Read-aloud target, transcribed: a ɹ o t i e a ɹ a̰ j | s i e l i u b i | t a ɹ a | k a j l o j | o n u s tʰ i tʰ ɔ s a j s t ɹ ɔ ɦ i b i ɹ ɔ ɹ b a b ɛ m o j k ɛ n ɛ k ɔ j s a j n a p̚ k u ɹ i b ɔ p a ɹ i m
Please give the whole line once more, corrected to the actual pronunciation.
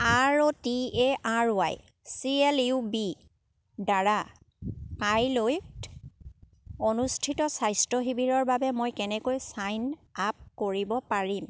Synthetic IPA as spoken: a ɹ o t i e a ɹ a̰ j | s i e l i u b i | d a ɹ a | k a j l o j | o n u s tʰ i t ɔ s a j s t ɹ ɔ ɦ i b i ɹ ɔ ɹ b a b ɛ m o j k ɛ n ɛ k o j s a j n a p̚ k o ɹ i b ɔ p a ɹ i m